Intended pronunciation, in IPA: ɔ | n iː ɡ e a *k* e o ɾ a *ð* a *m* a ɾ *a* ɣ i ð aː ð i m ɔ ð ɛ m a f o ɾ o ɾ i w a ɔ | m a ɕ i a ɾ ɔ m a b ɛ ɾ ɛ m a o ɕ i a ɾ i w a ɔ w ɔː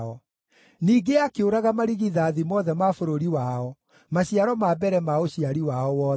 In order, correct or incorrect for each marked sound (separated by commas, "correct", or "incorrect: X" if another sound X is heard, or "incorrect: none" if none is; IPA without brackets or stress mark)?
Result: correct, incorrect: ɣ, correct, incorrect: i